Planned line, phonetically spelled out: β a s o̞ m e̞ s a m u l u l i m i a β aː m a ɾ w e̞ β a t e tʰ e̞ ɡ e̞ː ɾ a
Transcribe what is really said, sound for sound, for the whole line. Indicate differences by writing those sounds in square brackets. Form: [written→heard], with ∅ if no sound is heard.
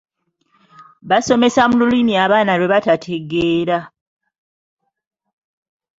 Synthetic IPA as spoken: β a s o̞ m e̞ s a m u l u l i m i a β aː [m→n] a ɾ w e̞ β a t [e→a] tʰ e̞ ɡ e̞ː ɾ a